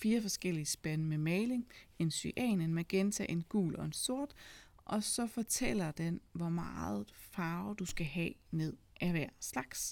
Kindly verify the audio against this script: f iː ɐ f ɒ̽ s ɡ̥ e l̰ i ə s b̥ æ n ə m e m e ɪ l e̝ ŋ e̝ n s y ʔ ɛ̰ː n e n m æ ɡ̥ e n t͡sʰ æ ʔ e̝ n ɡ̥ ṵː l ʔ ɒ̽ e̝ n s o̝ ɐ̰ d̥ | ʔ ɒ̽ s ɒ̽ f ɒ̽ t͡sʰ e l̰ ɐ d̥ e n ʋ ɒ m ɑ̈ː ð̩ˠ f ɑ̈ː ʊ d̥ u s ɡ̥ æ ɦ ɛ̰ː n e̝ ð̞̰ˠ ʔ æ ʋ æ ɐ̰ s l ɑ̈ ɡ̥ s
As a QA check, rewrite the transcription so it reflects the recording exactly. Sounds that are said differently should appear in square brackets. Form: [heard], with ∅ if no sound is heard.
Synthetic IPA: f iː ɐ f ɒ̽ s ɡ̥ e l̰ i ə s b̥ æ n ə m e m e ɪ l e̝ ŋ e̝ n s y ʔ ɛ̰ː n e n m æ ɡ̥ e n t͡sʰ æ ʔ e̝ n ɡ̥ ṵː l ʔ ɒ̽ e̝ n s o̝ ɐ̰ d̥ | ʔ ɒ̽ s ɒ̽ f ɒ̽ t͡sʰ e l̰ ɐ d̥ e n ʋ ɒ m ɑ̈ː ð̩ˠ f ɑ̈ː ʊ d̥ u s ɡ̥ æ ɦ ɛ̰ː n e̝ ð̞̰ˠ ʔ æ ʋ æ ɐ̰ s l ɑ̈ ɡ̥ s